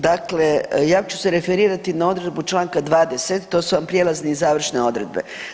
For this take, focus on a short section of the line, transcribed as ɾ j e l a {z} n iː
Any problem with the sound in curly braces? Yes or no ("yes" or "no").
no